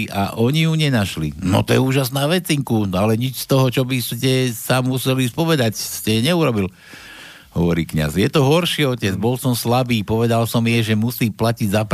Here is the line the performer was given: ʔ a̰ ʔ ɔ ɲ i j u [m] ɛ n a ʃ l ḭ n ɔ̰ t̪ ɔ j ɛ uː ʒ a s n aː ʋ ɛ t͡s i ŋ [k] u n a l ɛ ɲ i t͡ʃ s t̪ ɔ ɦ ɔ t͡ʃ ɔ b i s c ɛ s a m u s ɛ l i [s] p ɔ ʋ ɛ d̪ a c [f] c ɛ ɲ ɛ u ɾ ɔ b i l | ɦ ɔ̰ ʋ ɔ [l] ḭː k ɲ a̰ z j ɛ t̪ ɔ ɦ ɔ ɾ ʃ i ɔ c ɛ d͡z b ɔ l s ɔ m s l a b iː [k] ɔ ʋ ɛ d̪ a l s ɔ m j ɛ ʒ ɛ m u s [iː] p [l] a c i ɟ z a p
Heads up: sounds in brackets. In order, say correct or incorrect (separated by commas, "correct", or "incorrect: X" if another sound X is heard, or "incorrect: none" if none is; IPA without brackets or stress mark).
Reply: incorrect: ɲ, correct, correct, incorrect: s, incorrect: ɾ, incorrect: p, correct, correct